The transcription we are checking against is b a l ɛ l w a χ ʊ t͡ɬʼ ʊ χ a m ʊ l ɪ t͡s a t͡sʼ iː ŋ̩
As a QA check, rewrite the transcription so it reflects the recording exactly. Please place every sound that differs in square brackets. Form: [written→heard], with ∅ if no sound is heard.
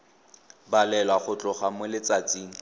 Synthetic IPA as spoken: b a l ɛ l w a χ ʊ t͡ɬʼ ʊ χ a m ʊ l ɪ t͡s a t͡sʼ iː ŋ̩

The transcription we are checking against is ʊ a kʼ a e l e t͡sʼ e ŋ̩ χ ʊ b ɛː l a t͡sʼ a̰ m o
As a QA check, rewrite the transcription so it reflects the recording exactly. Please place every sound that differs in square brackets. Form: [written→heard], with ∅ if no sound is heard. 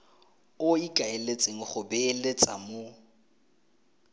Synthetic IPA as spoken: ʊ [a→i] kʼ a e l e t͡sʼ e ŋ̩ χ ʊ b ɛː l [a→e] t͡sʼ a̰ m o

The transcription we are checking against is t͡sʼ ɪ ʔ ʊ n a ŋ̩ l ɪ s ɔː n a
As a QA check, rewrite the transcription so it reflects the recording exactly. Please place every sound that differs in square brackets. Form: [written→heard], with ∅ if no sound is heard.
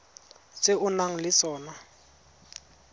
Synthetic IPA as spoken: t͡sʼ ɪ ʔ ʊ n a ŋ̩ l ɪ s ɔː n a

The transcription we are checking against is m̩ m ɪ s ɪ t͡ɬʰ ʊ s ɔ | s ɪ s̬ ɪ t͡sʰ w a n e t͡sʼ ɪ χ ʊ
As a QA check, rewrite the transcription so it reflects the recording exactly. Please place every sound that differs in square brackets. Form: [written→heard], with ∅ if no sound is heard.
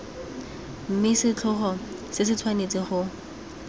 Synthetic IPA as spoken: m̩ m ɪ s ɪ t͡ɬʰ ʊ [s→χ] ɔ | s ɪ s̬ ɪ t͡sʰ w a n e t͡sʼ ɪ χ ʊ

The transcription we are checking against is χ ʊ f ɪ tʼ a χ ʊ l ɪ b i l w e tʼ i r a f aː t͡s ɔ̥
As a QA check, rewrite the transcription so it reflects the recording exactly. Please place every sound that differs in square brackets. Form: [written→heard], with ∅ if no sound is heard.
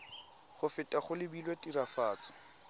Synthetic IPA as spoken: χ ʊ f ɪ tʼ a χ ʊ l ɪ b i l w e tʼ i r a f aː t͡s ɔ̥

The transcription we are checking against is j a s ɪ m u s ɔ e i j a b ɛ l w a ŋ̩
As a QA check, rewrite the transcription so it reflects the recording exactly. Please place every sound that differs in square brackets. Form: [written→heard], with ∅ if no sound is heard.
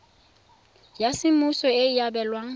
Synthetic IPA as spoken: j a s ɪ m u s ɔ e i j a b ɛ l w a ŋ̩

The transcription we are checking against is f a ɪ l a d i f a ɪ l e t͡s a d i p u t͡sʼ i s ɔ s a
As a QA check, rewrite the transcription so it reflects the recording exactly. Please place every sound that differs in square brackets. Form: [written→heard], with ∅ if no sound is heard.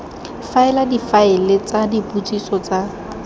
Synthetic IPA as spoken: f a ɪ l a d i f a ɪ l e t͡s a d i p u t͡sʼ i s ɔ [s→t͡s] a

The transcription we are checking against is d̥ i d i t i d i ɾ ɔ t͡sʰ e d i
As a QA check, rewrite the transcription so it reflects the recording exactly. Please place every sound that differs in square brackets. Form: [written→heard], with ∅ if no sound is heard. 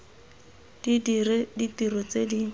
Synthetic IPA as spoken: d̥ i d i [t→d] i [d→t] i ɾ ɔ [t͡sʰ→t͡s] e d i

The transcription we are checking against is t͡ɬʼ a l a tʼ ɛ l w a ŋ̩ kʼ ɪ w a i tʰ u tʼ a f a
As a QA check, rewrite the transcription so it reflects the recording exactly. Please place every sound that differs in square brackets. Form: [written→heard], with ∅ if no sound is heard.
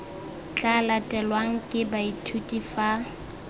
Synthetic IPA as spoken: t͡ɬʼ a l a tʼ ɛ l w a ŋ̩ kʼ ɪ [w→b] a i tʰ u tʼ [a→i] f a

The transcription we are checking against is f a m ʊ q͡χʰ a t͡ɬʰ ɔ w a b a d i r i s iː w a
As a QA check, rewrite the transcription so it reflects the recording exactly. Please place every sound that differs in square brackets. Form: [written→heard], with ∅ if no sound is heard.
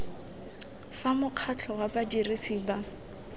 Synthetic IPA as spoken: f a m ʊ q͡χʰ a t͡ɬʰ ɔ w a b a d i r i s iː [w→b] a

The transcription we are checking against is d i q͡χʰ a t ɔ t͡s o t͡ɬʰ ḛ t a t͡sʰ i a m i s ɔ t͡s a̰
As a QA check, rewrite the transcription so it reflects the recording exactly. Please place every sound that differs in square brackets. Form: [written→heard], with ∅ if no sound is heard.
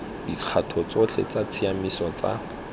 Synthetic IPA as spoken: d i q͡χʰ a [t→tʰ] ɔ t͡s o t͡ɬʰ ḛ [t→t͡s] a t͡sʰ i a m i s ɔ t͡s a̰

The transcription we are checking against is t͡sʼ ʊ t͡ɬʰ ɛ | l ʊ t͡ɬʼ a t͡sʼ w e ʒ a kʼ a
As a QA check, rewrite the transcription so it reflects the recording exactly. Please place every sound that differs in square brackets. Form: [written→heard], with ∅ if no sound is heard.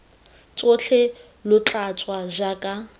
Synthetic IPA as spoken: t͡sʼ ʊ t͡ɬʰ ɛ | l ʊ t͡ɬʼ a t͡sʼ w [e→a] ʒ a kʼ a

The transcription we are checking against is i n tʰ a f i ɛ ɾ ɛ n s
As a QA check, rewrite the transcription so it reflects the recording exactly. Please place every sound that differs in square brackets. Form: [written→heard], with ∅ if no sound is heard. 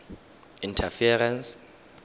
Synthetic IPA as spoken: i n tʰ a f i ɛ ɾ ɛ n s

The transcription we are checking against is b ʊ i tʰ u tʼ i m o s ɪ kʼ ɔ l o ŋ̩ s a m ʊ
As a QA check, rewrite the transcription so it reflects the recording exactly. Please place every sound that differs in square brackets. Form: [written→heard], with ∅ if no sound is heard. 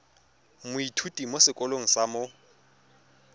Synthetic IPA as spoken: [b→m] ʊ i tʰ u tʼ i m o s ɪ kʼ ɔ l o ŋ̩ s a m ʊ

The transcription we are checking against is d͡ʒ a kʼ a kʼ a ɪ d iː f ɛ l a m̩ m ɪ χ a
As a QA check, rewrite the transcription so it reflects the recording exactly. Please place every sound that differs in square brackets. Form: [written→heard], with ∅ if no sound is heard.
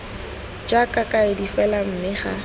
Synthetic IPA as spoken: d͡ʒ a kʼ a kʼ a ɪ d [iː→i] f ɛ l a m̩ m ɪ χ a

